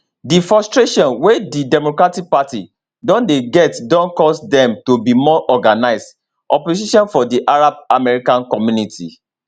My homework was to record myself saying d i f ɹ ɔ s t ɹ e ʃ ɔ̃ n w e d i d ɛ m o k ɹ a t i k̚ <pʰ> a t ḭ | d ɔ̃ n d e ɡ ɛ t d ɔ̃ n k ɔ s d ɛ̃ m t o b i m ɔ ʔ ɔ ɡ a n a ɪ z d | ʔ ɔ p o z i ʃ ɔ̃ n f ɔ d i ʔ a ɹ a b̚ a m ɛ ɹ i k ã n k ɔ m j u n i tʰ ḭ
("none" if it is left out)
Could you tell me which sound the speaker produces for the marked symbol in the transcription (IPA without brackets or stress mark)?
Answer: p